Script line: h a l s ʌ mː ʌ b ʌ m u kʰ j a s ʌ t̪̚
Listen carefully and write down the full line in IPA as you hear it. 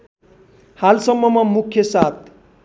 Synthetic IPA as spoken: h a l s ʌ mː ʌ m ʌ m u kʰ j ʌ s a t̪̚